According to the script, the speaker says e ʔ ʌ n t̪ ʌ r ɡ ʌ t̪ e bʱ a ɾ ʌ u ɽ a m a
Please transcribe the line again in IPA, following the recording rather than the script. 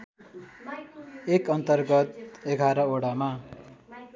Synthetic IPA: e k ʌ n t̪ ʌ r ɡ ʌ t̪ e ɡʱ a ɾ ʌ o ɽ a m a